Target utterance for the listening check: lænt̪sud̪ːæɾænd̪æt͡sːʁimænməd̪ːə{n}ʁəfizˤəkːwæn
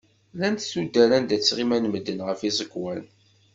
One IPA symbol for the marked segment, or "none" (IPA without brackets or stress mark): n